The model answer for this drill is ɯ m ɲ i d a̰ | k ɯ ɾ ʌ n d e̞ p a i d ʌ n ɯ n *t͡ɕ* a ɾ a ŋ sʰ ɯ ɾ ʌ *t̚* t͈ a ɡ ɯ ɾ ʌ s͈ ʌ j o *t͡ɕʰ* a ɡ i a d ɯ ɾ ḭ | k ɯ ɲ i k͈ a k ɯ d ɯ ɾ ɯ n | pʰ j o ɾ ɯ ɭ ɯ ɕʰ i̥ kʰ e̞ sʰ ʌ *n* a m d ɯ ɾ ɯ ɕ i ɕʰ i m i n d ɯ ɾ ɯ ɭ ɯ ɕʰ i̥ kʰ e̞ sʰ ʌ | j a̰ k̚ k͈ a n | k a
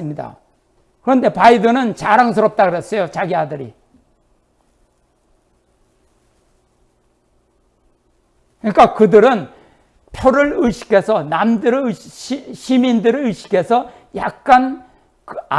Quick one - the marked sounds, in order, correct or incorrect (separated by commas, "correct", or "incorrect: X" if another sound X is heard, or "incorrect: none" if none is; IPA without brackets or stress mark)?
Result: correct, incorrect: p̚, incorrect: t͡ɕ, correct